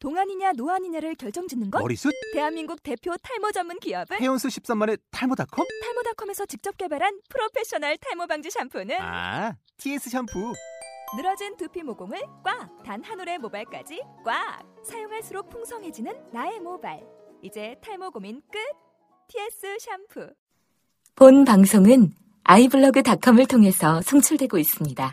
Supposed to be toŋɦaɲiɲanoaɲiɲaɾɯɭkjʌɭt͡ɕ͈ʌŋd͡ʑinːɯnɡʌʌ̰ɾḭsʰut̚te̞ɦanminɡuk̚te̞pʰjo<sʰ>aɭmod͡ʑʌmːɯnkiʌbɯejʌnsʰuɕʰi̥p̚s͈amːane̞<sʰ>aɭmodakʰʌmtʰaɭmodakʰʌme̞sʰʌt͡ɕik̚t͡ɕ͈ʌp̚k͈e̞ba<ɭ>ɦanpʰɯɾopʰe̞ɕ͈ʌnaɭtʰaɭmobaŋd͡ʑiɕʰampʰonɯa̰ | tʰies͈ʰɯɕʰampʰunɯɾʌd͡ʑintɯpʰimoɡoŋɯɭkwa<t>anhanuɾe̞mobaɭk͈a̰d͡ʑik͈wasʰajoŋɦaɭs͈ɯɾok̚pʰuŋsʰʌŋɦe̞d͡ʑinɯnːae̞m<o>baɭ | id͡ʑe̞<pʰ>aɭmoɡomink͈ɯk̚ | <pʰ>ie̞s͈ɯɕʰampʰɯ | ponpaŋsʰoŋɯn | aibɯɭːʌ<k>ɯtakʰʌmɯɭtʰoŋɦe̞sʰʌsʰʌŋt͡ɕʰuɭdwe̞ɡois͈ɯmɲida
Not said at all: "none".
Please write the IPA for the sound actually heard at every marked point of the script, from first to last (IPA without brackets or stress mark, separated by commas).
tʰ, tʰ, ɾ, t, o, tʰ, tʰ, ɡ